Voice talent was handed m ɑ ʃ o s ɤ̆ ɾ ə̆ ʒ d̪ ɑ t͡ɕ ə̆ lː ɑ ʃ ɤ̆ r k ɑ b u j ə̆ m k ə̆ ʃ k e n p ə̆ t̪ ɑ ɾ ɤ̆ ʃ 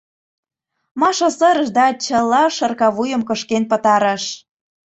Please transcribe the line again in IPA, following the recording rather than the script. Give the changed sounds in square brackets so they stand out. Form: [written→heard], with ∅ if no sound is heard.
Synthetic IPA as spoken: m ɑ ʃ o s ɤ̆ ɾ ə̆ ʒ d̪ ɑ t͡ɕ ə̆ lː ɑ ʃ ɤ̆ r k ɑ [b→β] u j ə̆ m k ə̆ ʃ k e n p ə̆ t̪ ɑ ɾ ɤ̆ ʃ

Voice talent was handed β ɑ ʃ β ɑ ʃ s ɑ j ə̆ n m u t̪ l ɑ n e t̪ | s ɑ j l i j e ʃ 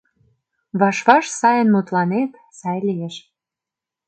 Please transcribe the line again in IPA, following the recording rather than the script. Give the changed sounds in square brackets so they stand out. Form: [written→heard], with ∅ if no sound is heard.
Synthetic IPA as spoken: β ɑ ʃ β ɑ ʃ s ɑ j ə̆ n m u t̪ l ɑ n e t̪ | s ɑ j l i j e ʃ

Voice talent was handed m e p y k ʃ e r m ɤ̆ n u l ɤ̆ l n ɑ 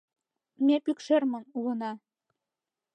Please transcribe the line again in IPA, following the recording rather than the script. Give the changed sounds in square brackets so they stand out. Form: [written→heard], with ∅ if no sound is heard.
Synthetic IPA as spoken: m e p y k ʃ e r m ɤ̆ n u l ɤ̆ [l→∅] n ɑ

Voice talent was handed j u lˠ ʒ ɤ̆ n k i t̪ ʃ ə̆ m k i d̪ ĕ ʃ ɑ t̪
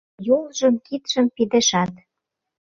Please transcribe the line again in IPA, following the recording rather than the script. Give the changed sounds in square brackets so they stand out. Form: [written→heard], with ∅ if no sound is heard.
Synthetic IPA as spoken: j [u→o] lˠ ʒ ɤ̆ [n→m] k i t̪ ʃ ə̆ m [k→p] i d̪ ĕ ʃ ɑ t̪

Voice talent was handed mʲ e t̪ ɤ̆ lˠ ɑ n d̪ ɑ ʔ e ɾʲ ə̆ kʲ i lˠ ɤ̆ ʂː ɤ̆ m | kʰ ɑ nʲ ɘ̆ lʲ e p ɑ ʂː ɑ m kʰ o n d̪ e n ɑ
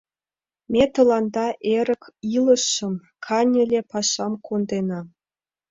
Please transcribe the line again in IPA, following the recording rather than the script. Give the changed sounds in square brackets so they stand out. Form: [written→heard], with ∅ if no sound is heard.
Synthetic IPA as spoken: mʲ e t̪ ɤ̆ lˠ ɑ n d̪ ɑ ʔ e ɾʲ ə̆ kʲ i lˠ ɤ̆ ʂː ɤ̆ m | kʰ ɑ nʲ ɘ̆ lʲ e p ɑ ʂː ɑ m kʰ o n d̪ e n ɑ

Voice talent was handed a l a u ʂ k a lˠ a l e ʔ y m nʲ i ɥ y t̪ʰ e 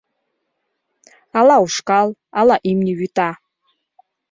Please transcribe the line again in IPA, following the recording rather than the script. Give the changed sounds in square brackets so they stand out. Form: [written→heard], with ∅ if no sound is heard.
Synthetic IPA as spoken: a l a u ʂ k a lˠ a l [e→a] ʔ [y→i] m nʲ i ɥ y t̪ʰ [e→a]

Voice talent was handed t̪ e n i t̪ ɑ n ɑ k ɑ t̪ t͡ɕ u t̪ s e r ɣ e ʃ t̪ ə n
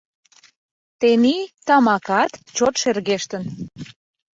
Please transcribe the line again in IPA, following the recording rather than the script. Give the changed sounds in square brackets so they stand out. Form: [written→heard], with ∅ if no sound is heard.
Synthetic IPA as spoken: t̪ e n i t̪ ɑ [n→m] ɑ k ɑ t̪ t͡ɕ [u→o] t̪ [s→ʃ] e r ɣ e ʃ t̪ ə n

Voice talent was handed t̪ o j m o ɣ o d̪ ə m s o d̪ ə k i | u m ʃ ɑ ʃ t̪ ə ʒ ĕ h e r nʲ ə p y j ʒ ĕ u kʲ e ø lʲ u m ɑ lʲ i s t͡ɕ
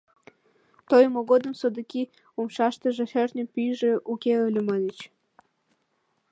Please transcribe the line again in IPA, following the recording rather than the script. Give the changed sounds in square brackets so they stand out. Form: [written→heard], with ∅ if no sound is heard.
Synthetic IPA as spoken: t̪ o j m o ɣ o d̪ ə m s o d̪ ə k i | u m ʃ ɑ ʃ t̪ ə ʒ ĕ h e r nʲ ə p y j ʒ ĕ u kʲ e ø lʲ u m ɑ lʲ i [s→∅] t͡ɕ

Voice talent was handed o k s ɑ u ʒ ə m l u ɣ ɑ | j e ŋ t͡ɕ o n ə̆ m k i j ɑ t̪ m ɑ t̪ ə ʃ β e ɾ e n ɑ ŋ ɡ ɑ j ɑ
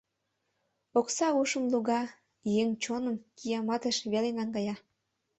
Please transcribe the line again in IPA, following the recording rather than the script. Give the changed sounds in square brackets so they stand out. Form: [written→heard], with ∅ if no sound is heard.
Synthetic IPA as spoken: o k s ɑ u [ʒ→ʃ] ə m l u ɣ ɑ | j e ŋ t͡ɕ o n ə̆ m k i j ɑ [t̪→∅] m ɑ t̪ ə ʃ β e [ɾ→l] e n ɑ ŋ ɡ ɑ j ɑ

